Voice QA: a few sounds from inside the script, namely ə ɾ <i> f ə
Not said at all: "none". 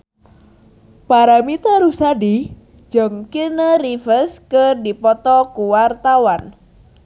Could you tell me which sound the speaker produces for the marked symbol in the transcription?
i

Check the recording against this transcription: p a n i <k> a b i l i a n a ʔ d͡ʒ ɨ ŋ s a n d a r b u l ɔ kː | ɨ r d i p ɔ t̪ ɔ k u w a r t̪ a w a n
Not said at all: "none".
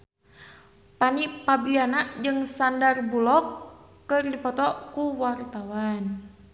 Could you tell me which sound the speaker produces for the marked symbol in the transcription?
p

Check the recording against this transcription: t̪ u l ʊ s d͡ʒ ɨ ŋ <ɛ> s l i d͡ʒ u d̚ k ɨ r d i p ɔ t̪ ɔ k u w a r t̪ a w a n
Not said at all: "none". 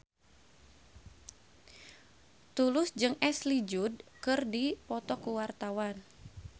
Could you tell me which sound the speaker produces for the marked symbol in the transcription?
ɛ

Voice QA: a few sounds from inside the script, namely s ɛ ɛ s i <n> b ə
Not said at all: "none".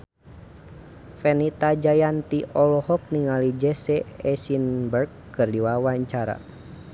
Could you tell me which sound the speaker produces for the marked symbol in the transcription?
n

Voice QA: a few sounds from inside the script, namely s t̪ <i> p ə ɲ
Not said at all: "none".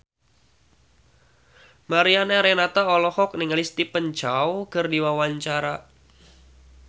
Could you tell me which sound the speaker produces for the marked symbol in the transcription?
i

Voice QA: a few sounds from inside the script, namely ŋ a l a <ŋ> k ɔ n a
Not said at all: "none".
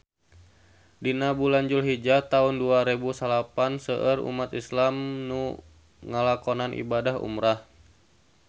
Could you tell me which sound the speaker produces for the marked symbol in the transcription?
none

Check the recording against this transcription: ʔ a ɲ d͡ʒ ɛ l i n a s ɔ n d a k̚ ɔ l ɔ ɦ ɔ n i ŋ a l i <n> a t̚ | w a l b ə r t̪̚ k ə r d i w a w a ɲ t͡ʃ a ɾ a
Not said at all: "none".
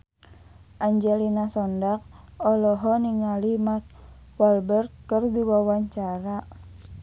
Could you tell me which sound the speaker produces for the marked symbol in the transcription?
m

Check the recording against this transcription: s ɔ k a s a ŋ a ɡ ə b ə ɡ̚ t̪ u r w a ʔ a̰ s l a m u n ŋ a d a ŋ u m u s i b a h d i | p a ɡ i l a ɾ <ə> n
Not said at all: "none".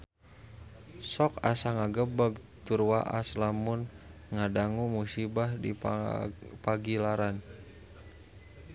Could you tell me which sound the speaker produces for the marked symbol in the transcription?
a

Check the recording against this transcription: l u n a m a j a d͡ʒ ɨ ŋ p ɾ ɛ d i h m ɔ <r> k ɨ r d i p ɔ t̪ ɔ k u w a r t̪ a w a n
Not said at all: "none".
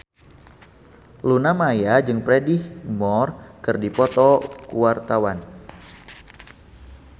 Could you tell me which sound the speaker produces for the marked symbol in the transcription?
r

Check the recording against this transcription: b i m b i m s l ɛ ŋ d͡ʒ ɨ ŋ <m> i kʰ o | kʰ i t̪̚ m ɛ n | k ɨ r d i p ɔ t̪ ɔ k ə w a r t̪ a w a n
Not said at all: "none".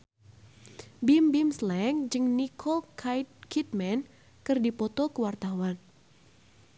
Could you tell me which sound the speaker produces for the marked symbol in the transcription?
n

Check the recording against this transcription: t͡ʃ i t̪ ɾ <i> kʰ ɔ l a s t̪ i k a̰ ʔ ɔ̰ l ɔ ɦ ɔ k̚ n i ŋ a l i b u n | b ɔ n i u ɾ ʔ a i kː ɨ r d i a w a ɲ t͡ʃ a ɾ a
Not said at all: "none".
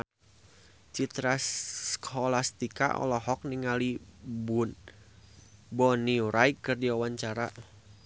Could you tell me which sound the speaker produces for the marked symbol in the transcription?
a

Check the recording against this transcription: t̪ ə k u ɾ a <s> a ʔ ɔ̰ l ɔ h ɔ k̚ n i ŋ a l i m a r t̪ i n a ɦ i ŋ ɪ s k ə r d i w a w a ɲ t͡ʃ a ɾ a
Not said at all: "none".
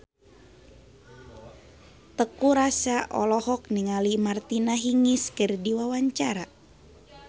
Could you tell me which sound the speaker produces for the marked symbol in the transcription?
s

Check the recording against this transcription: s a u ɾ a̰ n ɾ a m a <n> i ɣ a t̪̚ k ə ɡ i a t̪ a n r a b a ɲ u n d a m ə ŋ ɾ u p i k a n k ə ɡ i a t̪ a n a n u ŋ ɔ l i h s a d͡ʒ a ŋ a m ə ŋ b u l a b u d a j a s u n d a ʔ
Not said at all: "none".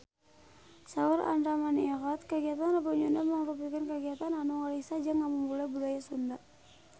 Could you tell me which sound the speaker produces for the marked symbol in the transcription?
n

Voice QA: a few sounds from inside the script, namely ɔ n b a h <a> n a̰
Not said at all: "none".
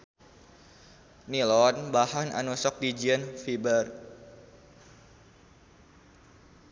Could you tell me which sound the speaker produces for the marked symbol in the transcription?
a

